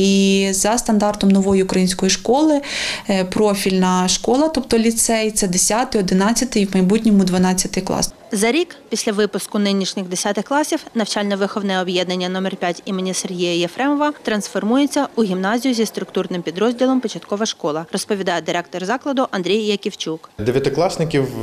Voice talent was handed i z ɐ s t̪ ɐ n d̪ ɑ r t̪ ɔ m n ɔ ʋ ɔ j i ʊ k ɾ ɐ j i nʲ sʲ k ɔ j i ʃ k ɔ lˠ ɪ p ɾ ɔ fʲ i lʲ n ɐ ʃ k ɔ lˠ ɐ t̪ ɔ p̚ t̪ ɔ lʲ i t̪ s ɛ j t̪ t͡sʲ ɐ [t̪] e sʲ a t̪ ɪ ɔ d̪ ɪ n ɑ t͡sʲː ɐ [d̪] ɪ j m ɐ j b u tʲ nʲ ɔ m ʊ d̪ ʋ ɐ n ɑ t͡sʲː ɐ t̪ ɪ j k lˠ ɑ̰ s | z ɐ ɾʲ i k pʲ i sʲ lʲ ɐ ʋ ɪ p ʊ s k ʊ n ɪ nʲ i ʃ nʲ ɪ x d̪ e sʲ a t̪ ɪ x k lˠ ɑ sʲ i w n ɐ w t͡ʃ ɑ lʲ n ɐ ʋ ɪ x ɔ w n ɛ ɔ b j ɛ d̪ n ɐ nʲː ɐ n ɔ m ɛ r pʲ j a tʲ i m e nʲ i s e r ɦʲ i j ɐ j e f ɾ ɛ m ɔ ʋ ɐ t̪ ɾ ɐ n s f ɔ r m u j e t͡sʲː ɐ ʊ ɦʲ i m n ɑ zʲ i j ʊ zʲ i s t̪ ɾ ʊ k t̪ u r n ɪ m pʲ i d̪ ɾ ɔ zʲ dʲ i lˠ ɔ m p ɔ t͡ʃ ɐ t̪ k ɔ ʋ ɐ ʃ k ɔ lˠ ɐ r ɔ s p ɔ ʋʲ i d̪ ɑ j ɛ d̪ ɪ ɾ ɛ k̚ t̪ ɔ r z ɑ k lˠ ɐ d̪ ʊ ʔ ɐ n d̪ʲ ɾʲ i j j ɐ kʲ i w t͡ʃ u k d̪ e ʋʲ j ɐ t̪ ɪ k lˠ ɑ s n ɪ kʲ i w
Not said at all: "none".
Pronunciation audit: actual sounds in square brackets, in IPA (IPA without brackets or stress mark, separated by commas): d̪, t̪